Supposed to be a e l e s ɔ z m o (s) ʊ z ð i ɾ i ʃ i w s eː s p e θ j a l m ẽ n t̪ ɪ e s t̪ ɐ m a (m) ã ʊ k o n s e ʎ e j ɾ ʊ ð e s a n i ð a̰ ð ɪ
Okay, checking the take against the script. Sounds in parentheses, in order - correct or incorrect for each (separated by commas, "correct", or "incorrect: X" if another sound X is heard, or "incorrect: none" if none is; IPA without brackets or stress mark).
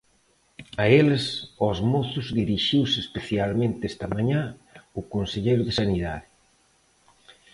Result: incorrect: θ, incorrect: ɲ